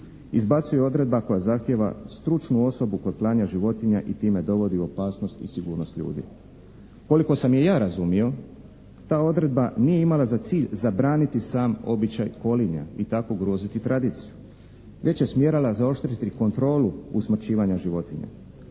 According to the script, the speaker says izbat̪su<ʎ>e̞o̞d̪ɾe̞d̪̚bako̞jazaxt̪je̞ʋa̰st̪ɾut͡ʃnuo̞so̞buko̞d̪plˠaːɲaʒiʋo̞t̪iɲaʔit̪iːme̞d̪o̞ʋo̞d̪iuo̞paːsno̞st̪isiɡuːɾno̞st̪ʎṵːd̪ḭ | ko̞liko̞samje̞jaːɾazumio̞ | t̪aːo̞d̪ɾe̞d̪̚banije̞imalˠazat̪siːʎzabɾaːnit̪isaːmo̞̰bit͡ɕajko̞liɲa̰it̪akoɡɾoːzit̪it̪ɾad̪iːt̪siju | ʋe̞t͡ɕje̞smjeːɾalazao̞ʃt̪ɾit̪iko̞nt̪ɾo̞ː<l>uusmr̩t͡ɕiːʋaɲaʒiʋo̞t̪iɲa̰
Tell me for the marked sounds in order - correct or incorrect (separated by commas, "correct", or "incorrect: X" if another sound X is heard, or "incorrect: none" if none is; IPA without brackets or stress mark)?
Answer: incorrect: j, correct